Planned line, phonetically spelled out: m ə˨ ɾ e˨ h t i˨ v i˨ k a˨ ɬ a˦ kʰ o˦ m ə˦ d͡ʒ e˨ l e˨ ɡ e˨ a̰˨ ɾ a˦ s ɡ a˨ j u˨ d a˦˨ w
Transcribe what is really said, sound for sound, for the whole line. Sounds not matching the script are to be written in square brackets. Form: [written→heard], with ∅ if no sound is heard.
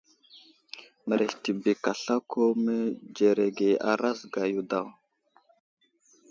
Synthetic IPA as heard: m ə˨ ɾ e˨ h t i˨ [v→b] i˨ k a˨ ɬ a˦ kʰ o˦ m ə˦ d͡ʒ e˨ [l→ɾ] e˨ ɡ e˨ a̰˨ ɾ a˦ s ɡ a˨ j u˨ d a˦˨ w